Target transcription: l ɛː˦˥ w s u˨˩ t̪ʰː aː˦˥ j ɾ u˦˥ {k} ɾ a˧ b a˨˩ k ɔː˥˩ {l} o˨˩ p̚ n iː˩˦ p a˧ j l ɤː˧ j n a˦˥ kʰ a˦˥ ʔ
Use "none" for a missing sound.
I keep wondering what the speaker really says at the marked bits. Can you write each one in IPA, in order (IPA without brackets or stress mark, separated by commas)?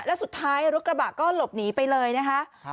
k, l